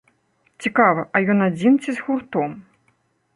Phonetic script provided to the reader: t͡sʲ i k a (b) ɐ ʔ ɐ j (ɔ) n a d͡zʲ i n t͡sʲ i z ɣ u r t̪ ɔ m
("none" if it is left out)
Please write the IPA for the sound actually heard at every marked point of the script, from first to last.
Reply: v, ɔ

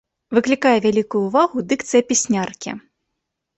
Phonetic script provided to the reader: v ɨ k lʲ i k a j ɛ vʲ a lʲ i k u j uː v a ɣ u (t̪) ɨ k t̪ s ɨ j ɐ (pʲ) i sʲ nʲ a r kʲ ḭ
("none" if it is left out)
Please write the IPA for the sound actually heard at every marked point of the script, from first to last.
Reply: d̪, pʲ

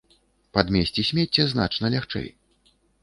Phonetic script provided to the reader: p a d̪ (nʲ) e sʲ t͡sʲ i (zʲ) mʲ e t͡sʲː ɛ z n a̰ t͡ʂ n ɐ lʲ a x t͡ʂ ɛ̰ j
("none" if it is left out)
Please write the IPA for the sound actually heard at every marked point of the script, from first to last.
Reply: mʲ, sʲ

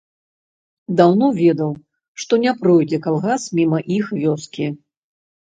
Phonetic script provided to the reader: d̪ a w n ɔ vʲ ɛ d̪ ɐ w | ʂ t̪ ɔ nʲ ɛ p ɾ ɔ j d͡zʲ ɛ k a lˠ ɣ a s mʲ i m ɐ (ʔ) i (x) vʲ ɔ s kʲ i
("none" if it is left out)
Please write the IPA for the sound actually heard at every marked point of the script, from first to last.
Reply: ʔ, x

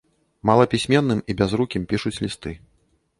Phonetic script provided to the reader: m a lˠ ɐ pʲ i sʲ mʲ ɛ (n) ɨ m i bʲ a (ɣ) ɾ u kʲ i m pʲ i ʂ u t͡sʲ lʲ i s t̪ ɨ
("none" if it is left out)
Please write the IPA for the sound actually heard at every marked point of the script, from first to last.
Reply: nː, z

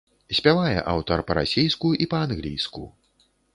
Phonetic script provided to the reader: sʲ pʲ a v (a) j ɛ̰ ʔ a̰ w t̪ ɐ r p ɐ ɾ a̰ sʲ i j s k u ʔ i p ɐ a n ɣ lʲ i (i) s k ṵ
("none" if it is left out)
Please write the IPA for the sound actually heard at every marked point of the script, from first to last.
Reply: a, j

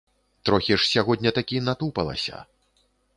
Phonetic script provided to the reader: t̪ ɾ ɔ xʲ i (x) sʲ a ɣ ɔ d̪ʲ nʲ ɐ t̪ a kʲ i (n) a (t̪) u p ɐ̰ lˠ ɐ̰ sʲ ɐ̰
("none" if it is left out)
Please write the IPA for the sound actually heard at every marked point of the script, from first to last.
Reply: ʂ, n, t̪

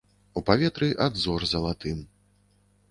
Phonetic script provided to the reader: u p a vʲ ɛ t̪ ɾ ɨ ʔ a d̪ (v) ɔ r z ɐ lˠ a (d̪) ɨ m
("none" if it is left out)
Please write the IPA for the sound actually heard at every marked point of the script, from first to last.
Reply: z, t̪

